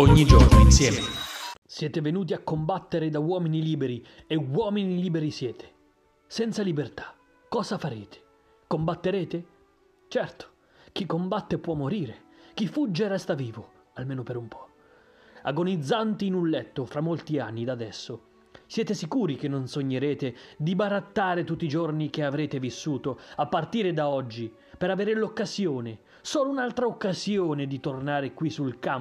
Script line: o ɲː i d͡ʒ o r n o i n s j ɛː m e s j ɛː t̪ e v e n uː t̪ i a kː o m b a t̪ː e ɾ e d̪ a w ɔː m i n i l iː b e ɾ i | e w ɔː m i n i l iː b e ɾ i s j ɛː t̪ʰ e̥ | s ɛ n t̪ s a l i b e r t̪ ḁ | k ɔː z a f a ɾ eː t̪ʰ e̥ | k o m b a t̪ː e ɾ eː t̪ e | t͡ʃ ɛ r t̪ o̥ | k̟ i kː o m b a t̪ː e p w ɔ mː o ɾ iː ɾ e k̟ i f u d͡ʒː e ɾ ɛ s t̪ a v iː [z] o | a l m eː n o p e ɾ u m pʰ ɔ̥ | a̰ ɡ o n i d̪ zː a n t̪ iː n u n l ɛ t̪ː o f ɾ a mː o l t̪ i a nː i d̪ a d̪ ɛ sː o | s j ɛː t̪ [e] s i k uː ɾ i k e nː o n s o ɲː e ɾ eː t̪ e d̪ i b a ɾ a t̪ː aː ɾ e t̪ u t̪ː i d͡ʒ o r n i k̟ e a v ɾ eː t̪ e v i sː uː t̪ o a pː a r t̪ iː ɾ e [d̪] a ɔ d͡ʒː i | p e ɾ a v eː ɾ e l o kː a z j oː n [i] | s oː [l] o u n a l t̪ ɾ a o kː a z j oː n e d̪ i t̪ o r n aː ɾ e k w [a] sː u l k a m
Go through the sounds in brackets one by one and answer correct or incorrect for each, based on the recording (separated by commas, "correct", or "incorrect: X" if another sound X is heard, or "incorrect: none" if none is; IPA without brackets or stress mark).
incorrect: v, correct, correct, incorrect: e, correct, incorrect: i